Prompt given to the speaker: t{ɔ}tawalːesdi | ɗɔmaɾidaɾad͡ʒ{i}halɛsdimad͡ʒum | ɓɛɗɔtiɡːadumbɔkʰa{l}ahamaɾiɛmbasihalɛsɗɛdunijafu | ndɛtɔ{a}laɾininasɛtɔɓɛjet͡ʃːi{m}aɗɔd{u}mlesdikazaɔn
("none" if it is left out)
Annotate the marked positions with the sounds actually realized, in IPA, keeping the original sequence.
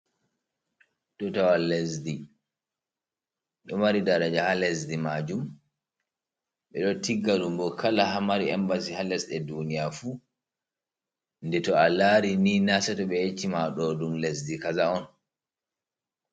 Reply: ɔ, a, l, a, m, u

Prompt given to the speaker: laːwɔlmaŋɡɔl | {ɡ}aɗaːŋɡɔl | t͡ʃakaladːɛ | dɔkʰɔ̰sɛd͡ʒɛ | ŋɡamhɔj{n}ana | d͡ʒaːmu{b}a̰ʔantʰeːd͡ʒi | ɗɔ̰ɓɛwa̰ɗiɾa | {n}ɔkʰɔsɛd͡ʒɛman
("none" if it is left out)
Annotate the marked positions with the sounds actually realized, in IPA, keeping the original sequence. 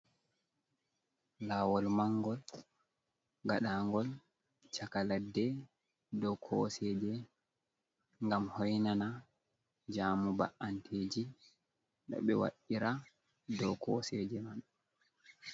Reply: ɡ, n, b, d

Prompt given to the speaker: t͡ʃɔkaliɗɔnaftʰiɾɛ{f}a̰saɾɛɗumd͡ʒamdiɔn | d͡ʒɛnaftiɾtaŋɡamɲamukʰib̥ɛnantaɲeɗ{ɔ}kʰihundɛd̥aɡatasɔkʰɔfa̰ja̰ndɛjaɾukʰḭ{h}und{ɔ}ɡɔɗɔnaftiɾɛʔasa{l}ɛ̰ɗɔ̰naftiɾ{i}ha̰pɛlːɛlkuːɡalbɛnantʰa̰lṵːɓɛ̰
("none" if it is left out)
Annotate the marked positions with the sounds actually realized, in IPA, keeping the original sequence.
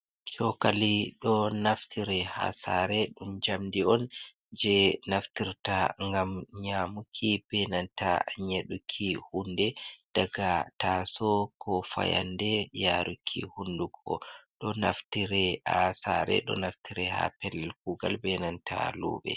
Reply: h, u, h, u, ɾ, ɛ

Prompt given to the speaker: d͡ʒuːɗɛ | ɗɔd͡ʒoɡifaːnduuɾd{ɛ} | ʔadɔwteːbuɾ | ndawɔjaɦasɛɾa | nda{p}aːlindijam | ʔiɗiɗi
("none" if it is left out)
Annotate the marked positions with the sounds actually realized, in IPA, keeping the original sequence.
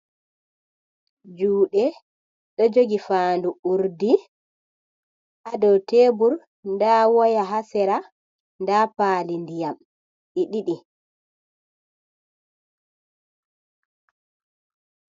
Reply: i, p

